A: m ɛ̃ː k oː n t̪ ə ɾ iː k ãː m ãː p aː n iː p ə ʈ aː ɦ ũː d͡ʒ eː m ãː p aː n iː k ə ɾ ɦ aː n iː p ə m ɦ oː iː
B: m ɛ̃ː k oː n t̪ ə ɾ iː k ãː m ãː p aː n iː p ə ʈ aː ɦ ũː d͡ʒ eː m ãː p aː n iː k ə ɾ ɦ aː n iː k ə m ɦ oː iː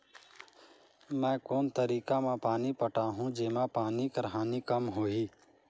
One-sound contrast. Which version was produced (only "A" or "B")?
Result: B